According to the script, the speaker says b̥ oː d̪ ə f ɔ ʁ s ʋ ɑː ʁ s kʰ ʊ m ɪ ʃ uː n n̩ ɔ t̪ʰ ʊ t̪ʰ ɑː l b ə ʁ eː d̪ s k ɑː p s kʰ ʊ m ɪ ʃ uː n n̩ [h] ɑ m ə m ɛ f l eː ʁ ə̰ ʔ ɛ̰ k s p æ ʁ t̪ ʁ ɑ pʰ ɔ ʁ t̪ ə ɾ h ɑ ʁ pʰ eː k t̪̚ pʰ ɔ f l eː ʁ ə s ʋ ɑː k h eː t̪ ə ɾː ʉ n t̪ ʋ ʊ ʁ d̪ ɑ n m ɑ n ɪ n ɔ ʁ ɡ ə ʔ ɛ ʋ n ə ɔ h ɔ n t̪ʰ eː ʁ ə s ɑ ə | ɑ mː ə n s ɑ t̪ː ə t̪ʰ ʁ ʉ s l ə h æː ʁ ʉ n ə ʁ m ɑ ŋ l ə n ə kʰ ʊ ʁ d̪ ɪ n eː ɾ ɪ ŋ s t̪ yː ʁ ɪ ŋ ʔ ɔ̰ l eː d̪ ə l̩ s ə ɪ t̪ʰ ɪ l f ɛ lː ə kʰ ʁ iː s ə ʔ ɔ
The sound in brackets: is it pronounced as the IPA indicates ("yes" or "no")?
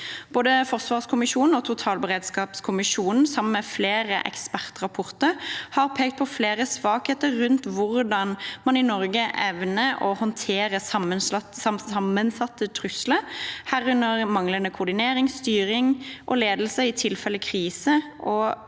no